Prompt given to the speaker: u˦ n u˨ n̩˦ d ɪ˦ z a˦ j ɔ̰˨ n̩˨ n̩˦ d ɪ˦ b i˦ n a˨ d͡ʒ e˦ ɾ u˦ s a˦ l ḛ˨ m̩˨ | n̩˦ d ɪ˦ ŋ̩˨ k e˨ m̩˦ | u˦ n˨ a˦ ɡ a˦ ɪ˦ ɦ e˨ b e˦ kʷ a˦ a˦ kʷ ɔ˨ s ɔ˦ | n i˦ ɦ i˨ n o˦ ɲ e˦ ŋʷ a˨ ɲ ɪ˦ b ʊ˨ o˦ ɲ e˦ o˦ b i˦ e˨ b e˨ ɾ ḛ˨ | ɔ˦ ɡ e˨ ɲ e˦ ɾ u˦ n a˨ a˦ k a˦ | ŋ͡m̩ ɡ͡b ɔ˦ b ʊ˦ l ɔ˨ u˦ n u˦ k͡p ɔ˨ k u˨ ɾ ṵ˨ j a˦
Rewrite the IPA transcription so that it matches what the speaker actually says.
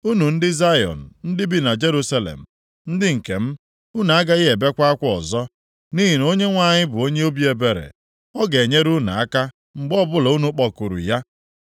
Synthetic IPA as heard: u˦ n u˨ n̩˦ d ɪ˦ z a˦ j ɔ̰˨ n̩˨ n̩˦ d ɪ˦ b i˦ n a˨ d͡ʒ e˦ ɾ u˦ s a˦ l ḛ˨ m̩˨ | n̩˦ d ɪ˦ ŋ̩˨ k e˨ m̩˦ | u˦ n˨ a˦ ɡ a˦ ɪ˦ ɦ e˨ b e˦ kʷ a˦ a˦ kʷ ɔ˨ z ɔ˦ | n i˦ ɦ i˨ n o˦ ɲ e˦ ŋʷ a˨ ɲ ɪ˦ b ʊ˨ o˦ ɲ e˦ o˦ b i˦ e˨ b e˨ ɾ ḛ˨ | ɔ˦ ɡ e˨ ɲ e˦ ɾ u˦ n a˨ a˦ k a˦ | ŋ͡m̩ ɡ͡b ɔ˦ b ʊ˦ l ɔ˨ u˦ n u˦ k͡p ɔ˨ k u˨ ɾ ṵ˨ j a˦

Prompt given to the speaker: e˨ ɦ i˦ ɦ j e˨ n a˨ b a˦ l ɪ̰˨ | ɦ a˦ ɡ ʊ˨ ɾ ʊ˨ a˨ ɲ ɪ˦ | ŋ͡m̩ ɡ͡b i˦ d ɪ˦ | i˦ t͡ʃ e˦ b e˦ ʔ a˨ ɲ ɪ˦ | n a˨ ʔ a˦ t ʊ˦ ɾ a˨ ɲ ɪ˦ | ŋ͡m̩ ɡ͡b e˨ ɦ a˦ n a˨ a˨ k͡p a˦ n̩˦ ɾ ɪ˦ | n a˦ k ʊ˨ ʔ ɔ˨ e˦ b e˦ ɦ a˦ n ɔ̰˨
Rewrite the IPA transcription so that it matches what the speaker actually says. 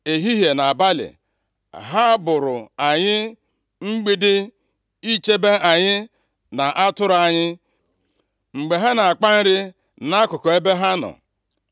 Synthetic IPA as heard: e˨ ɦ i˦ ɦ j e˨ n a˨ b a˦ l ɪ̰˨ | ɦ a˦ b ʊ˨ ɾ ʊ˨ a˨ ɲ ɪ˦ | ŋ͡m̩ ɡ͡b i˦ d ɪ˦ | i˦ t͡ʃ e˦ b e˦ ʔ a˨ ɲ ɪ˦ | n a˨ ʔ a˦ t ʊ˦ ɾ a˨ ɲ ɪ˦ | ŋ͡m̩ ɡ͡b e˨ ɦ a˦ n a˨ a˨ k͡p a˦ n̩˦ ɾ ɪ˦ | n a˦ k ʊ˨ k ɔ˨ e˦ b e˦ ɦ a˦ n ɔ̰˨

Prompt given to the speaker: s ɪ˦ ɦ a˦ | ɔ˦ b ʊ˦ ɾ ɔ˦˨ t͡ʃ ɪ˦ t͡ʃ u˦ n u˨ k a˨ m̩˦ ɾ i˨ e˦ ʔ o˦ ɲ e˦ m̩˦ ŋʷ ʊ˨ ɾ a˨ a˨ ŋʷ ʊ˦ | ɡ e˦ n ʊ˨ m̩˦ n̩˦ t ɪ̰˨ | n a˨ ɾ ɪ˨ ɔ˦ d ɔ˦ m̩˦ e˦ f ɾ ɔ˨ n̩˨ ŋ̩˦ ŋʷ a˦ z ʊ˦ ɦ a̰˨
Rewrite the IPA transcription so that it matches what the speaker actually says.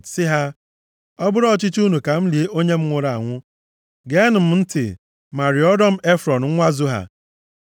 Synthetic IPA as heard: s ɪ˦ ɦ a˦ | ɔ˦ b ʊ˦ ɾ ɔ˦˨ t͡ʃ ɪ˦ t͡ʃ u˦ n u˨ k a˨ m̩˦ l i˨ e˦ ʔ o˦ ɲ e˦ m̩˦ ŋʷ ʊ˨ ɾ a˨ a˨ ŋʷ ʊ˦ | ɡ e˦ n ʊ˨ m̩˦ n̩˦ t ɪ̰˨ | m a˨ ɾ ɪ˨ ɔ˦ d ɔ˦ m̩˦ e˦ f ɾ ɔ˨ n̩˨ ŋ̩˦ ŋʷ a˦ z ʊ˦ ɦ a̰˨

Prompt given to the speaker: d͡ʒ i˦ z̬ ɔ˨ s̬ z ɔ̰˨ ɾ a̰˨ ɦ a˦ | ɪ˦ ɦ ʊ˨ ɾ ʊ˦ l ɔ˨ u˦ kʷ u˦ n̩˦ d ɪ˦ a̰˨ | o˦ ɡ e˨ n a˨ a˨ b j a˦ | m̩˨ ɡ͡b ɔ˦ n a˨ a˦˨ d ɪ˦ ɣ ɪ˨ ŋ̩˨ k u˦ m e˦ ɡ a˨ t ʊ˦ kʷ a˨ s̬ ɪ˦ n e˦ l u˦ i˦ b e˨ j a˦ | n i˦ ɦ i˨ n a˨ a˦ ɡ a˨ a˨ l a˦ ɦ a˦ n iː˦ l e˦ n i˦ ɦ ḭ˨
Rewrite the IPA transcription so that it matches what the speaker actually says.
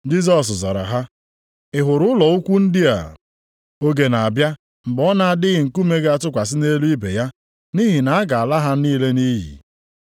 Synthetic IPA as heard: d͡ʒ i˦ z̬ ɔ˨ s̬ z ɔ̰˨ ɾ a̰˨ ɦ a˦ | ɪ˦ ɦ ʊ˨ ɾ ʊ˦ l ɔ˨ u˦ kʷ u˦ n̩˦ d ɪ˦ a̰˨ | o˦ ɡ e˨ n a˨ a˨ b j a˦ | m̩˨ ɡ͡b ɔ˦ n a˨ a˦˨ d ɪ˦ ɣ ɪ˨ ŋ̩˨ k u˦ m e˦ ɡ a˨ t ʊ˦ kʷ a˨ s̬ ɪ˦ n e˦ l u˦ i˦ b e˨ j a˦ | n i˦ ɦ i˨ n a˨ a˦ ɡ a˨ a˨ l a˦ ɦ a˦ n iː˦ l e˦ n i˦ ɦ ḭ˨

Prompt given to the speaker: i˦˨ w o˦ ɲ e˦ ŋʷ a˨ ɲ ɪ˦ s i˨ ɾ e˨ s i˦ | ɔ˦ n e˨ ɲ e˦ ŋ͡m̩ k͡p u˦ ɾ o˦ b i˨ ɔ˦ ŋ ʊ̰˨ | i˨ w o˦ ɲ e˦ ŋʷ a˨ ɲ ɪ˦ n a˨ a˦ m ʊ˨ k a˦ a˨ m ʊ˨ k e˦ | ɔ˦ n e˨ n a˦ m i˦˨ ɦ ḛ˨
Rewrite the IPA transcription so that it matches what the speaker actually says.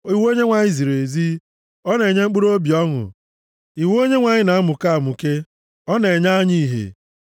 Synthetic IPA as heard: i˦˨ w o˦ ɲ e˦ ŋʷ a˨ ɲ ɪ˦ z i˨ ɾ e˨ z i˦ | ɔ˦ n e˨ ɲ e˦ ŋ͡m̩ k͡p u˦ ɾ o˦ b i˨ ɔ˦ ŋ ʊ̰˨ | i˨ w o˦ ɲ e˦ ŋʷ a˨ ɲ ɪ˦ n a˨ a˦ m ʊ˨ k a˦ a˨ m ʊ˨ k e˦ | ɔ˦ n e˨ ɲ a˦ ɲ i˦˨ ɦ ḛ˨

